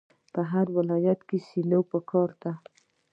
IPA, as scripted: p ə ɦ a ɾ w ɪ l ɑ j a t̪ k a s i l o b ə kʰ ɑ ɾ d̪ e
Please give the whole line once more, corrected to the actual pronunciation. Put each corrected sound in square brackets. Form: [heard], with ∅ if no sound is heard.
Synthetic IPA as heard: p ə ɦ a ɾ w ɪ l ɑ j a t̪ k [e] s i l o [p] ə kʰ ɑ ɾ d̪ [a]